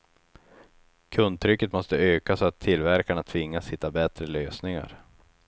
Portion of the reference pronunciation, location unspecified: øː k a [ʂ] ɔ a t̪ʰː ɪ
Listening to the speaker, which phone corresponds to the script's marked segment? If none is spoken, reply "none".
s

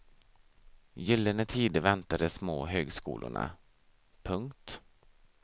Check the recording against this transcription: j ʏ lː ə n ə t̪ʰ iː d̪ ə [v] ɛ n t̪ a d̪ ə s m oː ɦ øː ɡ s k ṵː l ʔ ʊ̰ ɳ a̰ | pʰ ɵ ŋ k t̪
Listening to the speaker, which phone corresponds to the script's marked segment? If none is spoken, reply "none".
v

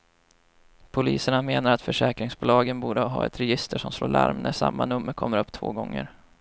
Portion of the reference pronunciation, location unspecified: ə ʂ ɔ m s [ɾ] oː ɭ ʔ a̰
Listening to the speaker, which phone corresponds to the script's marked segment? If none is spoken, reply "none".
l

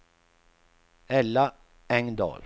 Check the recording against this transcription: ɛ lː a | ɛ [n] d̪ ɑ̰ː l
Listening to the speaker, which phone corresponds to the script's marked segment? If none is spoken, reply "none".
ŋ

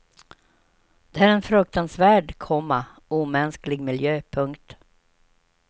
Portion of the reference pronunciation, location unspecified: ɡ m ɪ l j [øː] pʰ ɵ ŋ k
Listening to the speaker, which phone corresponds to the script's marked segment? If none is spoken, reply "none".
øː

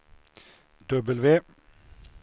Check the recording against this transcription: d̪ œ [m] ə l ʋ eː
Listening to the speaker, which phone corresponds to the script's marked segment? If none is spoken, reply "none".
b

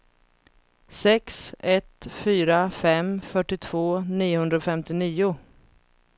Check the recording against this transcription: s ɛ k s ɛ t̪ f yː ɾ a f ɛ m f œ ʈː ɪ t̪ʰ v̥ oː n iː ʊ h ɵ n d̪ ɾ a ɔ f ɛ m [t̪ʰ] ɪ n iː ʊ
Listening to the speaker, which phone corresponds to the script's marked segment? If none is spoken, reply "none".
t̪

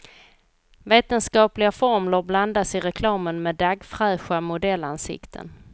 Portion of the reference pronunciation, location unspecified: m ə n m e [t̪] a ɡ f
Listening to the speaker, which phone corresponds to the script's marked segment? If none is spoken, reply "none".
d̪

